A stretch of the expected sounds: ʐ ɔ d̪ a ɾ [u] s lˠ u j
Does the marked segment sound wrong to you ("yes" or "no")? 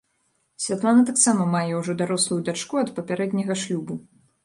yes